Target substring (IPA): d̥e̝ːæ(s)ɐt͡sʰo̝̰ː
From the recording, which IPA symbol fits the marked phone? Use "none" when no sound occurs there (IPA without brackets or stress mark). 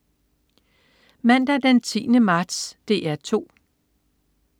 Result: none